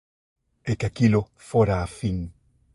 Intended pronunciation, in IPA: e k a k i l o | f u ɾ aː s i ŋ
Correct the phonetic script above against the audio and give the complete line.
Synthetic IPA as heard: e k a k i l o | f o ɾ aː f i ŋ